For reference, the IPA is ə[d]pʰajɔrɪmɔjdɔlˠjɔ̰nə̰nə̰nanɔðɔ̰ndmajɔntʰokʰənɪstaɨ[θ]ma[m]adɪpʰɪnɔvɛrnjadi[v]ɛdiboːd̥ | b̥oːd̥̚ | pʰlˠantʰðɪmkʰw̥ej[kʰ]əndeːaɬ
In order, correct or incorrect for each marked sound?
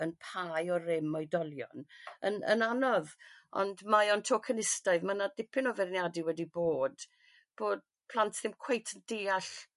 incorrect: n, incorrect: ð, incorrect: n, incorrect: w, incorrect: tʰ

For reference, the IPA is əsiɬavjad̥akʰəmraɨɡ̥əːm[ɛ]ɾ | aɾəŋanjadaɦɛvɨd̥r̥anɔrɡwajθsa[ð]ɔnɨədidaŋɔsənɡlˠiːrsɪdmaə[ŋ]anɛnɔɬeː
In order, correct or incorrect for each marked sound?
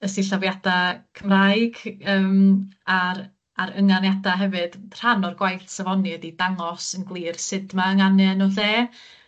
incorrect: a, incorrect: v, correct

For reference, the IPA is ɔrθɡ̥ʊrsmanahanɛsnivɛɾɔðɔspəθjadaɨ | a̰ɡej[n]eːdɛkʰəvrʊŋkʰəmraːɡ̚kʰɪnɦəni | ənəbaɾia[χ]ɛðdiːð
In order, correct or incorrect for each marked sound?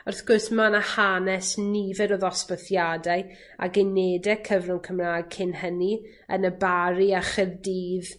correct, correct

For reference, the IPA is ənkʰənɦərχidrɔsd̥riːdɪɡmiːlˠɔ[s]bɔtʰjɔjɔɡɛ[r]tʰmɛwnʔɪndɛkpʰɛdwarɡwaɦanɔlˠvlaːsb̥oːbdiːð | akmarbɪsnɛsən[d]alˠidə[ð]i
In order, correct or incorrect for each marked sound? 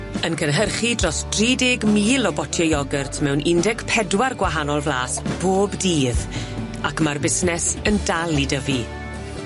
incorrect: none, correct, correct, incorrect: v

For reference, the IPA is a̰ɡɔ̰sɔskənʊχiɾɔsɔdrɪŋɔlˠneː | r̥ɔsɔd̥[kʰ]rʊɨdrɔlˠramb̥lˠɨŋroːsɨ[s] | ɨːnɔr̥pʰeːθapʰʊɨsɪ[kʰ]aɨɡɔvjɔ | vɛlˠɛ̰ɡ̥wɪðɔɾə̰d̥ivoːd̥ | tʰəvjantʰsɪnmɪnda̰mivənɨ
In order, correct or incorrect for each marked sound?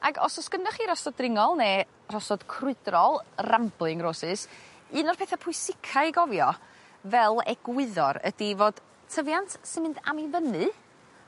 correct, correct, correct

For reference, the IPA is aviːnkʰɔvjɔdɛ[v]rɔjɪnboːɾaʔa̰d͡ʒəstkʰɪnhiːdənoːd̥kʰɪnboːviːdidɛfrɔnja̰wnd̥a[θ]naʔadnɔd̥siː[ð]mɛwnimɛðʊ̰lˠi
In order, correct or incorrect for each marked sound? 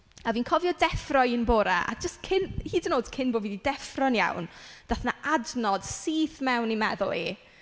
incorrect: f, correct, incorrect: θ

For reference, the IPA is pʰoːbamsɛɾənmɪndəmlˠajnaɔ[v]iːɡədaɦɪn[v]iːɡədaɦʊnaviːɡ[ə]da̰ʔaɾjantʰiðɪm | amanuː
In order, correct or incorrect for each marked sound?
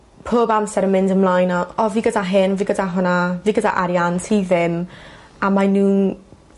correct, correct, correct

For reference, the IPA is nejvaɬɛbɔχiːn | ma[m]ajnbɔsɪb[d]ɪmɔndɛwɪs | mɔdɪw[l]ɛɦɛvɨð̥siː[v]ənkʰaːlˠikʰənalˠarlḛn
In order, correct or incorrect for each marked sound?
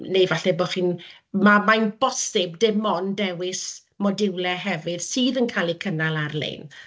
correct, correct, correct, incorrect: ð

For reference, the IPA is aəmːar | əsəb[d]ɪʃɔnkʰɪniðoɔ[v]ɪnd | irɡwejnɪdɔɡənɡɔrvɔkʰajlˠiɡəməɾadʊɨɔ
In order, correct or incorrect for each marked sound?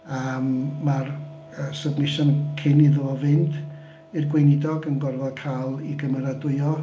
incorrect: n, correct

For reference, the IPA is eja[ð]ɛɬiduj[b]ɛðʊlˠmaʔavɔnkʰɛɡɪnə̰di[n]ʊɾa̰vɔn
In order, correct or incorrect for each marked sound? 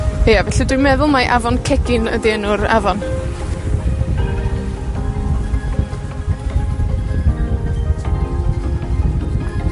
incorrect: v, incorrect: m, correct

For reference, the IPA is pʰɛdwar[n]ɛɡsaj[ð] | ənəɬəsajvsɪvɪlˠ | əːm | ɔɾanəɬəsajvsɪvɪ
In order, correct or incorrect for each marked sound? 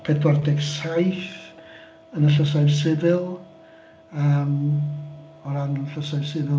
incorrect: d, incorrect: θ

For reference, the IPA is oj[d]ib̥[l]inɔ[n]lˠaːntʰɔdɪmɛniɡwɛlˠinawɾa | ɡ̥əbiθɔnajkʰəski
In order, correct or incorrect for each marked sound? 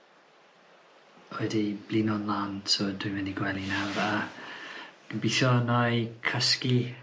correct, correct, correct

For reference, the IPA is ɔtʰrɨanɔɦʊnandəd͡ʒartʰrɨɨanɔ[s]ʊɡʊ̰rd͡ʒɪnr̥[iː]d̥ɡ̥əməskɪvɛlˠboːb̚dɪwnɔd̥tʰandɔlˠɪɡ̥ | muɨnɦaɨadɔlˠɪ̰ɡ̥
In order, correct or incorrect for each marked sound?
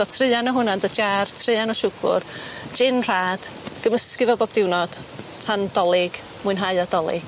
incorrect: ʃ, incorrect: aː

